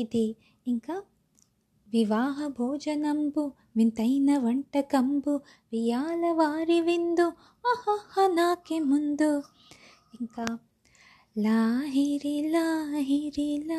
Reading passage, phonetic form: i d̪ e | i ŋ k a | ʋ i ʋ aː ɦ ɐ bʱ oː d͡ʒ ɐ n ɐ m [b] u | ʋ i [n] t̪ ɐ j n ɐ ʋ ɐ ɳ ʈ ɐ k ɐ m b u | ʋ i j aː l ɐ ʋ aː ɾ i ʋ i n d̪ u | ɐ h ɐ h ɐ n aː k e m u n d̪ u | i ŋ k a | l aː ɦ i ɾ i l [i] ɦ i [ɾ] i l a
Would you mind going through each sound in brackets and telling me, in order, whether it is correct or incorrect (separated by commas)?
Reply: correct, correct, incorrect, correct